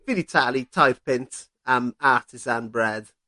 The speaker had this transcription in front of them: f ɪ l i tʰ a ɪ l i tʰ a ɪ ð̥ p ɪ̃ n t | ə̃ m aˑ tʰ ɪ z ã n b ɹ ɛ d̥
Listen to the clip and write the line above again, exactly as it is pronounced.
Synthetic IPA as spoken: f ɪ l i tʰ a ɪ l i tʰ a ɪ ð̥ p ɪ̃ n t | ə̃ m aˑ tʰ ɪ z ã n b ɹ ɛ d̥